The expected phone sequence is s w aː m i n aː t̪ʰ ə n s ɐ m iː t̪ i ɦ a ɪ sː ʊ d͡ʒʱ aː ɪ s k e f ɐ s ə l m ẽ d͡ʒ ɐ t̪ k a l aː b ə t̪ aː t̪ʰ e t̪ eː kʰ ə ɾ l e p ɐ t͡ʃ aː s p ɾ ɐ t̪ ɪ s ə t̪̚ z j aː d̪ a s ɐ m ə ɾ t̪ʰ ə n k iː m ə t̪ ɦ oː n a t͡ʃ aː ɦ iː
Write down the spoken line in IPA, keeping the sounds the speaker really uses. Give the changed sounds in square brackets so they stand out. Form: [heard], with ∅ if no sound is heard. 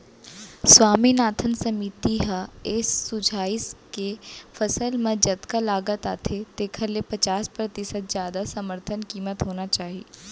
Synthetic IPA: s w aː m i n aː t̪ʰ ə n s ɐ m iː t̪ i ɦ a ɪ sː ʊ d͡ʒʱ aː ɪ s k e f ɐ s ə l m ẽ d͡ʒ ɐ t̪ k a l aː [ɡ] ə t̪ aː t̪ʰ e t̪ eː kʰ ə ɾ l e p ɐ t͡ʃ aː s p ɾ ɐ t̪ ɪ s ə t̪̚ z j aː d̪ a s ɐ m ə ɾ t̪ʰ ə n k iː m ə t̪ ɦ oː n a t͡ʃ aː ɦ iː